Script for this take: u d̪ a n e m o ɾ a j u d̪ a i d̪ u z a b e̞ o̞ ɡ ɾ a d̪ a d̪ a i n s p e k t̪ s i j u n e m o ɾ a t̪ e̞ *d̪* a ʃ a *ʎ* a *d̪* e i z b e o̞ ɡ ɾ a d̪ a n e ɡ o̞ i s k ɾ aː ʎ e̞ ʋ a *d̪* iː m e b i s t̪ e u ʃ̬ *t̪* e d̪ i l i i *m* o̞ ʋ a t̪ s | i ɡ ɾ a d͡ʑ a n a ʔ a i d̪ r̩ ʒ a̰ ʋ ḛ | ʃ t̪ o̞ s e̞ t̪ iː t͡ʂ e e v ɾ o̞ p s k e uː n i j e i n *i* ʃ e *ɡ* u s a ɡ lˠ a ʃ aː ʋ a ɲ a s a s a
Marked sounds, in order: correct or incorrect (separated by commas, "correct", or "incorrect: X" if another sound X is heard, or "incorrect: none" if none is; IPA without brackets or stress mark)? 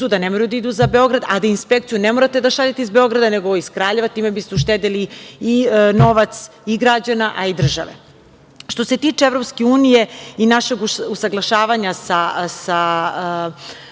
correct, correct, incorrect: t̪, incorrect: t̪, correct, incorrect: n, incorrect: a, correct